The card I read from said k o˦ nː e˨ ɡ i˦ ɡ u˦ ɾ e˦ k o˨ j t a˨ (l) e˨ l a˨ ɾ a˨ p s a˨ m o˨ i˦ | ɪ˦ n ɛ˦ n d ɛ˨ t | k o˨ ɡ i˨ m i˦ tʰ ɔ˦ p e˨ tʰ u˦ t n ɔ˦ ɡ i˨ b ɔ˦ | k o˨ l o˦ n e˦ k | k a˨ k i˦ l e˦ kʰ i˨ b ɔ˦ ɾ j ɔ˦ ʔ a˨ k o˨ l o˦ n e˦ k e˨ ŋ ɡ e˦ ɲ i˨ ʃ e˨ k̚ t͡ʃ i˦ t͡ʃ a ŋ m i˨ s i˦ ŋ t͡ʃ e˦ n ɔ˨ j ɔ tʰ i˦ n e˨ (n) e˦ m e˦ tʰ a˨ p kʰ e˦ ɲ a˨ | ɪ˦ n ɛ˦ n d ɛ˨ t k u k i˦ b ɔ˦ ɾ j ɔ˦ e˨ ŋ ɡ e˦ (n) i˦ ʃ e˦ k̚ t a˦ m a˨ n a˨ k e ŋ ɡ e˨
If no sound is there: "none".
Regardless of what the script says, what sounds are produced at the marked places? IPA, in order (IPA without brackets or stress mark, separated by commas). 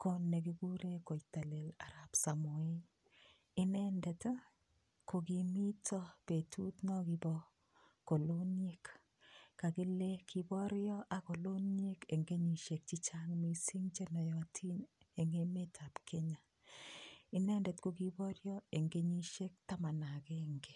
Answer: l, ŋ, ɲ